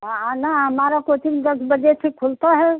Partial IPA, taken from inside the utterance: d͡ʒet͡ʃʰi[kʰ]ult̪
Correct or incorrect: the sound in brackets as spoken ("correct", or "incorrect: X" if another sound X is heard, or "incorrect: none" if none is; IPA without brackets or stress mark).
correct